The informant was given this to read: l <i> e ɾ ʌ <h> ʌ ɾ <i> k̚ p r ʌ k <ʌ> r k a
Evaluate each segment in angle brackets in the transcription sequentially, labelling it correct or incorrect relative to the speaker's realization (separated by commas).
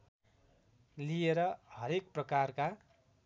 correct, correct, incorrect, incorrect